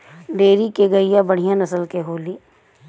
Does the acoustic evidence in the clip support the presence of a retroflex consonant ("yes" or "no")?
yes